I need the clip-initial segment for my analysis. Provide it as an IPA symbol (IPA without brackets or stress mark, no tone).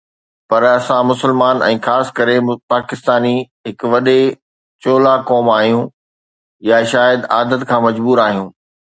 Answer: p